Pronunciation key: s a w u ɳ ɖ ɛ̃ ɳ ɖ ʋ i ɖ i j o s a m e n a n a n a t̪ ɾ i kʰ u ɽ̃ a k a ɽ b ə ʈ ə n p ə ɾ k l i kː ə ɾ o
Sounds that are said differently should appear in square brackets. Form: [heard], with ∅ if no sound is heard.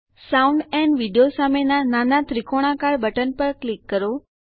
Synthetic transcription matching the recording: s a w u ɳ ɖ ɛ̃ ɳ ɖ ʋ i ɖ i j o s a m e n a n a n a t̪ ɾ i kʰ [o] ɽ̃ a k a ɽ b ə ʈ ə n p ə ɾ k l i kː ə ɾ o